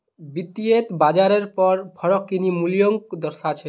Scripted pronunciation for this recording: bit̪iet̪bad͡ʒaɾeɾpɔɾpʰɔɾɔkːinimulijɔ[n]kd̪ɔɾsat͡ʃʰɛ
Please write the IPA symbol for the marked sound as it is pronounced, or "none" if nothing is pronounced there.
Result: ŋ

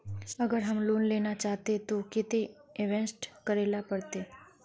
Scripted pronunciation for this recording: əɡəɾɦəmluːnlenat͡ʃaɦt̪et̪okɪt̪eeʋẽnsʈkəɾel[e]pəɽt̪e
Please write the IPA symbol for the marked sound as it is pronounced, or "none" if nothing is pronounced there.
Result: a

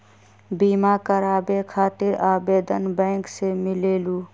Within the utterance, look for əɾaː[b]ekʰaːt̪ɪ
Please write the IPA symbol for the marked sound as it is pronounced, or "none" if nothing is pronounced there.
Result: b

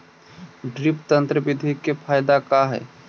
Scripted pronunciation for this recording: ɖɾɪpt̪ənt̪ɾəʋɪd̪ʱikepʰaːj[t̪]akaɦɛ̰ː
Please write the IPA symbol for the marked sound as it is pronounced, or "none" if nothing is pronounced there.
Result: d̪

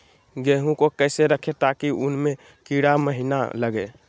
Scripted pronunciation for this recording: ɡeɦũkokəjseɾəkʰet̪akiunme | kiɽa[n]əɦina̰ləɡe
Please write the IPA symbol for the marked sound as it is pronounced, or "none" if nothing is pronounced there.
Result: m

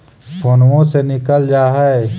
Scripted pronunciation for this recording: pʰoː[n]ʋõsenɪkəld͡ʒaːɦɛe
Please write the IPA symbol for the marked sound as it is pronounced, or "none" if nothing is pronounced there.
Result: n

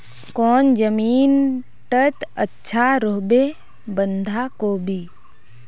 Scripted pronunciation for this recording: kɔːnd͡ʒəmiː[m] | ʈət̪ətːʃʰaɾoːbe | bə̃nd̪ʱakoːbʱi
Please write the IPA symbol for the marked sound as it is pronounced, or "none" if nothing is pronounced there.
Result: n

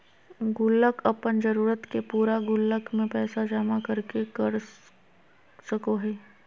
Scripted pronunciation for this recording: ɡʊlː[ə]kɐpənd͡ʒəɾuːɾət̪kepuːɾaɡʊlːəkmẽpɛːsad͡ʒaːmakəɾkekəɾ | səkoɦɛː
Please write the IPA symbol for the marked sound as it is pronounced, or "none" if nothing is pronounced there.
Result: ə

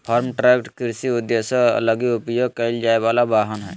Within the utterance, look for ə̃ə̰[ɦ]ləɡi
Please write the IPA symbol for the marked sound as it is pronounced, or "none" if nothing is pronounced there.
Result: none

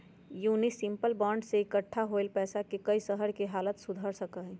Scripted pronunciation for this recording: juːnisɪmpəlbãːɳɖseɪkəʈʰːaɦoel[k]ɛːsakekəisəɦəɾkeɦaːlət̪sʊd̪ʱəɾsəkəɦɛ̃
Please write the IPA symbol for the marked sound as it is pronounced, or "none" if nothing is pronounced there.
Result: p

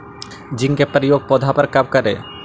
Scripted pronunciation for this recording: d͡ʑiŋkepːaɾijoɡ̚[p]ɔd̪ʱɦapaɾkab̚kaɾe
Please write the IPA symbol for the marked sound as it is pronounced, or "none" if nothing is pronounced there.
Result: p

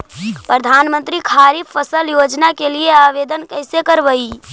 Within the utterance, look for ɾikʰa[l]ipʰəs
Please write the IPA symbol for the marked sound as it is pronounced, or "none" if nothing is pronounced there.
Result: ɾ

